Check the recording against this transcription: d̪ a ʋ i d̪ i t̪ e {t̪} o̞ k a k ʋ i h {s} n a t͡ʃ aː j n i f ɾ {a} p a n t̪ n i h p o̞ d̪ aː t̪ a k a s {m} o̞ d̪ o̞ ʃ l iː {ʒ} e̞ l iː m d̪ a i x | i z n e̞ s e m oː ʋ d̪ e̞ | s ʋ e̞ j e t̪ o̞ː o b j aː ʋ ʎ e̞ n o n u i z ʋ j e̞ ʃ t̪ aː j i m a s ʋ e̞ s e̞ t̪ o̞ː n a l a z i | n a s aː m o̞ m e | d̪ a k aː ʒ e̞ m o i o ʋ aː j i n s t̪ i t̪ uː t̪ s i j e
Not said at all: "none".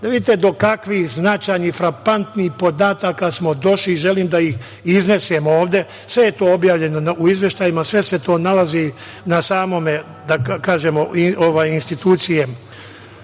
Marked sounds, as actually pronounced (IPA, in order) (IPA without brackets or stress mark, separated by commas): d̪, z, a, m, ʒ